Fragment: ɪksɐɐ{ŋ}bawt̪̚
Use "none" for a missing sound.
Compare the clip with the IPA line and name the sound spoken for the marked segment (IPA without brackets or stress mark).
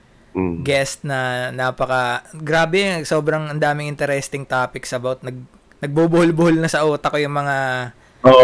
none